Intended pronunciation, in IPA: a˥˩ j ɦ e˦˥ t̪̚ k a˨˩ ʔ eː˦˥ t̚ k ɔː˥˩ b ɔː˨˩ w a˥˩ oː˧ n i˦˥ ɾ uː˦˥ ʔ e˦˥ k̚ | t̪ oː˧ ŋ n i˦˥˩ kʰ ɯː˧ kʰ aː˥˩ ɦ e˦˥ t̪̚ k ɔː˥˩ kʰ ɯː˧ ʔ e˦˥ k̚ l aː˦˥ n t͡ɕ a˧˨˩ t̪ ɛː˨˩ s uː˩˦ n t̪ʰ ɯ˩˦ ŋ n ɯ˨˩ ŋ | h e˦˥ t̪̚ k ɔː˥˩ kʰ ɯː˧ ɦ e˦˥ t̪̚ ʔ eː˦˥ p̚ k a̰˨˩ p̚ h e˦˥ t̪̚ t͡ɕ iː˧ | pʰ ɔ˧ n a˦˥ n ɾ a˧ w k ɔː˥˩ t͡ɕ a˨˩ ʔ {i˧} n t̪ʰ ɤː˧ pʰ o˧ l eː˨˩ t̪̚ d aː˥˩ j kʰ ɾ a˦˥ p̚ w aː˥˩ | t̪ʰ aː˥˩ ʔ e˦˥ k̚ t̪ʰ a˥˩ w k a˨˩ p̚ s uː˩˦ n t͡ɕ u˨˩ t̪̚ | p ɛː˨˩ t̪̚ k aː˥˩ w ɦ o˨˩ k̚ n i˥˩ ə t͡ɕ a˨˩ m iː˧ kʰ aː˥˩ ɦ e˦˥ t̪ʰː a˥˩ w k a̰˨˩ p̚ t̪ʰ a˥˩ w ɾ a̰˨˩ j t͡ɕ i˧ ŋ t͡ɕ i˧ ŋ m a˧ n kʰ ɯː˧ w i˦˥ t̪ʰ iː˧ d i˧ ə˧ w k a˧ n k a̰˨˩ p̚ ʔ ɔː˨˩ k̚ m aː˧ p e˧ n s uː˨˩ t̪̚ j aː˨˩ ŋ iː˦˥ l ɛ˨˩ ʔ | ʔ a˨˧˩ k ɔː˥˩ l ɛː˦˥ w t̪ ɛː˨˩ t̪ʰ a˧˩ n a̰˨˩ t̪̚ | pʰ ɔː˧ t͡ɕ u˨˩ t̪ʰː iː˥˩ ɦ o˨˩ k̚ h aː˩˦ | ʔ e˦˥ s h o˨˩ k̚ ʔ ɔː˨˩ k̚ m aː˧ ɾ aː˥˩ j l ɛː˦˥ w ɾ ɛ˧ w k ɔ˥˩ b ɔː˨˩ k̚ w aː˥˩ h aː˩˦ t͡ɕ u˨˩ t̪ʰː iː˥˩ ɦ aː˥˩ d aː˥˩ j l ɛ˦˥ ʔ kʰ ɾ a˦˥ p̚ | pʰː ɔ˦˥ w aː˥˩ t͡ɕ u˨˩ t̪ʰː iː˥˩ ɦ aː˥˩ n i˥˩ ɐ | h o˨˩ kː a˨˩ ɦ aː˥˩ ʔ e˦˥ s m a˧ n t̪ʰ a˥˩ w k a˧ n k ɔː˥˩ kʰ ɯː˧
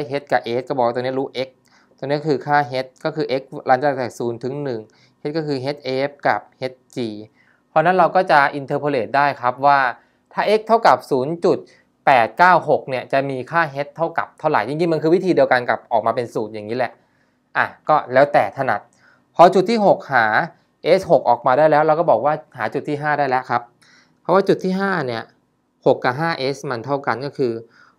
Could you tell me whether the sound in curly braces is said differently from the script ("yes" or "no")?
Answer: no